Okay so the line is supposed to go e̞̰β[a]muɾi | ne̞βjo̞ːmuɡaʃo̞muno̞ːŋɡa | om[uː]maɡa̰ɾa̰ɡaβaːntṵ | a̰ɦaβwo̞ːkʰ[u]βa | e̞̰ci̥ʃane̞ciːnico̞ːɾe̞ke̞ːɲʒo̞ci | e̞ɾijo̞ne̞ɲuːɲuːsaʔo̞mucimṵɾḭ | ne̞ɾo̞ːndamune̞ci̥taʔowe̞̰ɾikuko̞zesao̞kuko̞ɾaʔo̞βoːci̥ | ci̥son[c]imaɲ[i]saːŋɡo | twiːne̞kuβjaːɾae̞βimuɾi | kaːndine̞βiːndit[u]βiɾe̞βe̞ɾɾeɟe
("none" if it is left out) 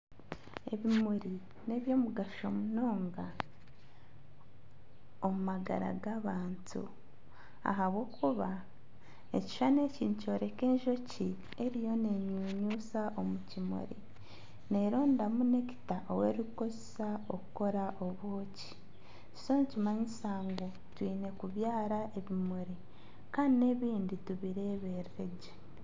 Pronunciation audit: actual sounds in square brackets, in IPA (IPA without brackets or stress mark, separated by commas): i, u, u, c, i, u